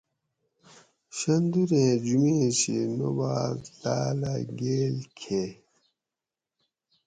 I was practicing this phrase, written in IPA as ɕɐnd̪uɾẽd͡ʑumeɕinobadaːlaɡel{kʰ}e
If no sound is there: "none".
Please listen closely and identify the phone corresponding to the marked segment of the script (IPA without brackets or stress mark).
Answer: kʰ